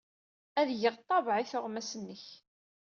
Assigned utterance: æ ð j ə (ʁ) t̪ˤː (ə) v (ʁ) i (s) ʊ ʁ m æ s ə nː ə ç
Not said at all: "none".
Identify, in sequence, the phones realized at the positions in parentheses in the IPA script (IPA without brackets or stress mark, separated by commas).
ʁ, ɑ, ʕ, θ